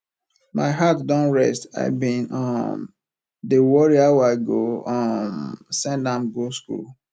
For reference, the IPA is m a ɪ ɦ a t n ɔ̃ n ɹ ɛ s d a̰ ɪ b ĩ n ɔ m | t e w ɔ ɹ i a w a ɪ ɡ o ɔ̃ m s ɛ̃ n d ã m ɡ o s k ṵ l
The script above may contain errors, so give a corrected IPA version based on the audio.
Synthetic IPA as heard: m a ɪ ɦ a t d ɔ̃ n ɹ ɛ s t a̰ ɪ b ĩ n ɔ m | d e w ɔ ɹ i a w a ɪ ɡ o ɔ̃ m s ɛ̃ n d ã m ɡ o s k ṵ l

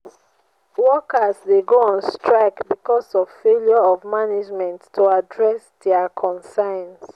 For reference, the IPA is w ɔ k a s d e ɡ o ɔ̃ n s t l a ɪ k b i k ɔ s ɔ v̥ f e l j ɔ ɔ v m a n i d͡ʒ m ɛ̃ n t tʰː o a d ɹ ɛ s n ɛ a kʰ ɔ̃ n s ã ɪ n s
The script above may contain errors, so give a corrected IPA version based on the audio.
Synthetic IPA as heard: w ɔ k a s d e ɡ o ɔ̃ n s t ɹ a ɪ k b i k ɔ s ɔ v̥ f e l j ɔ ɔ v m a n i d͡ʒ m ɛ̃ n t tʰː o a d ɹ ɛ s d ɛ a kʰ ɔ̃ n s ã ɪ n s

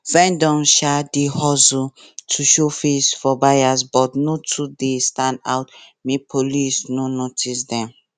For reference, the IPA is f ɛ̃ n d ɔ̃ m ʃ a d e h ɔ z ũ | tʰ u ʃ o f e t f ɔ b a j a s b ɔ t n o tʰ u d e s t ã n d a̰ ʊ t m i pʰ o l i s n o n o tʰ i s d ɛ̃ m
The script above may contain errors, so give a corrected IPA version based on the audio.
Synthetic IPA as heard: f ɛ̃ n d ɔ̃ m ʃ a d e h ɔ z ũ | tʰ u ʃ o f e s f ɔ b a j a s b ɔ t n o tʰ u d e s t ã n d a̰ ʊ t m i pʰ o l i s n o n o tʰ i s d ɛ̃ m

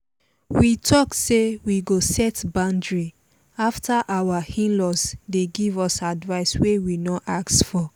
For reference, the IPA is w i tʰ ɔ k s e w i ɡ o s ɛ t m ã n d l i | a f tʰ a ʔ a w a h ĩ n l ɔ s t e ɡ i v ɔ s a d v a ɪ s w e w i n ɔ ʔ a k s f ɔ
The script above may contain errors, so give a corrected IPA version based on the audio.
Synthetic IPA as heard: w i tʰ ɔ k s e w i ɡ o s ɛ t b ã n d ɹ i | a f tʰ a ʔ a w a h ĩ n l ɔ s d e ɡ i v ɔ s a d v a ɪ s w e w i n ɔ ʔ a k s f ɔ

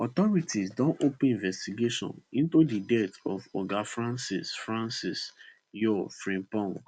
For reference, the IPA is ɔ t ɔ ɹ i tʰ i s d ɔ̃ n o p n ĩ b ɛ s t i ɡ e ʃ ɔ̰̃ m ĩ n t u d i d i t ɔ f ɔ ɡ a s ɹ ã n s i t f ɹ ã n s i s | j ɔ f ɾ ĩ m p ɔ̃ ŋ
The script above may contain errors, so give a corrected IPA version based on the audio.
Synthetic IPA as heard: ɔ t ɔ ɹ i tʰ i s d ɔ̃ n o p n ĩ v ɛ s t i ɡ e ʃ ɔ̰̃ n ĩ n t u d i d ɛ t ɔ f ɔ ɡ a f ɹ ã n s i s f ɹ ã n s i s | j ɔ f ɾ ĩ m p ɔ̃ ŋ

